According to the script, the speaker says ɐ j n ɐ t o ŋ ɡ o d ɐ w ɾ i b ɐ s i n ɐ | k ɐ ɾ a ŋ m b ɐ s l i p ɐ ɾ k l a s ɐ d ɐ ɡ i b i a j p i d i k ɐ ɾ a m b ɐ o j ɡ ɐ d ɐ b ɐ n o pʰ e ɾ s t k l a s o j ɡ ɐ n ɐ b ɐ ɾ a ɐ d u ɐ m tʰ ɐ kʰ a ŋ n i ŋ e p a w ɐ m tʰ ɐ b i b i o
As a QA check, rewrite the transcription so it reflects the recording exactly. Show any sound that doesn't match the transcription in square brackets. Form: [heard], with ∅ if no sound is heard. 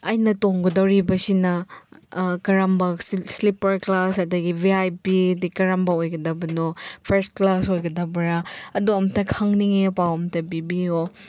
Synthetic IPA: ɐ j n ɐ t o ŋ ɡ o d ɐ w ɾ i b ɐ s i n ɐ | k ɐ ɾ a [∅] m b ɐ s l i p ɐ ɾ k l a s ɐ d ɐ ɡ i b i a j p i d i k ɐ ɾ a m b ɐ o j ɡ ɐ d ɐ b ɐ n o pʰ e ɾ s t k l a s o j ɡ ɐ [d] ɐ b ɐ ɾ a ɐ d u ɐ m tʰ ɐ kʰ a ŋ n i ŋ e p a w ɐ m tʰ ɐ b i b i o